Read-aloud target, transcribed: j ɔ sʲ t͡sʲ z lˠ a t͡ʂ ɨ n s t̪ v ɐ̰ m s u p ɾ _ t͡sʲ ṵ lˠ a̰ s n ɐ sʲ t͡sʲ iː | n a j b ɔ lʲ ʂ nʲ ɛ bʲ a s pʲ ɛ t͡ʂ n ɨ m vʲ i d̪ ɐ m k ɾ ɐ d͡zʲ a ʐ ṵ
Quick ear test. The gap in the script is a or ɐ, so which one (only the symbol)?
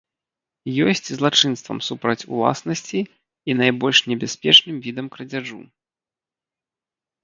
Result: ɐ